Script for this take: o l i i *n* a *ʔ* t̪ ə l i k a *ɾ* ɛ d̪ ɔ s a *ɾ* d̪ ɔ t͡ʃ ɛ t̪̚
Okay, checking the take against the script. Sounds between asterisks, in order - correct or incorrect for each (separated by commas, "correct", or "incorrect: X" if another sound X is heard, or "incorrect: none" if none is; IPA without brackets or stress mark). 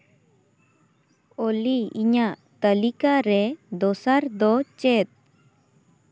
incorrect: ɲ, correct, correct, correct